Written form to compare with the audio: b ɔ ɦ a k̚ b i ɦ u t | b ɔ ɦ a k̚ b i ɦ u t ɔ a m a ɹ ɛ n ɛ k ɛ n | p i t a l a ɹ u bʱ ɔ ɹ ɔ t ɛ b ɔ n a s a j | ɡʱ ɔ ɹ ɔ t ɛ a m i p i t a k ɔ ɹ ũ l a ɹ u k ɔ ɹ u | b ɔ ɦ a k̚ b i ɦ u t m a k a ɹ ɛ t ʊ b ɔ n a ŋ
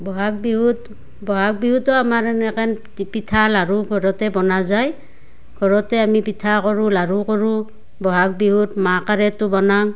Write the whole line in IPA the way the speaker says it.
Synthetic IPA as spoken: b ɔ ɦ a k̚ b i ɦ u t | b ɔ ɦ a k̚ b i ɦ u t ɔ a m a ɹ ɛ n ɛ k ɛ n | p i tʰ a l a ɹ u ɡʱ ɔ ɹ ɔ t ɛ b ɔ n a z a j | ɡʱ ɔ ɹ ɔ t ɛ a m i p i tʰ a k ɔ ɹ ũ l a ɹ u k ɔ ɹ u | b ɔ ɦ a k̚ b i ɦ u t m a k a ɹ ɛ t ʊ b ɔ n a ŋ